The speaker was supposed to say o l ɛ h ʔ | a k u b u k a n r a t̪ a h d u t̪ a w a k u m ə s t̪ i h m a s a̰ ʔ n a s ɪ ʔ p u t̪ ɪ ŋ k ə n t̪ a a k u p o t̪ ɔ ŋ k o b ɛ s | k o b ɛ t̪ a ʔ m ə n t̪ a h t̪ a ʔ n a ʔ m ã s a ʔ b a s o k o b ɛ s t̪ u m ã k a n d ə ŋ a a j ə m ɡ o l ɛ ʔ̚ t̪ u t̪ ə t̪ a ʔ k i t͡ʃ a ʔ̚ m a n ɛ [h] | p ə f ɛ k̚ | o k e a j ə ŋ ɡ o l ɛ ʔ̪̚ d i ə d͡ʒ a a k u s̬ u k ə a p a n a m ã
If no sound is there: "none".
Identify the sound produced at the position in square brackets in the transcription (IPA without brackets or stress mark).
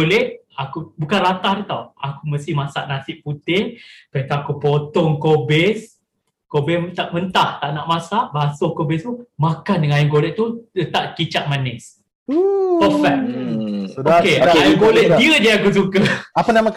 s